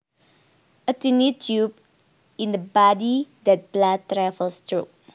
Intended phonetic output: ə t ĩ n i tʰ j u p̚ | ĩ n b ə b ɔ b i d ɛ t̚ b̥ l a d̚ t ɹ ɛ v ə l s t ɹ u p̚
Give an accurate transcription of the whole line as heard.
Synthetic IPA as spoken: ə t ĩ n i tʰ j u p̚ | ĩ n d ə b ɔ d i d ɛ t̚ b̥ l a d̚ t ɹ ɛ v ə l s t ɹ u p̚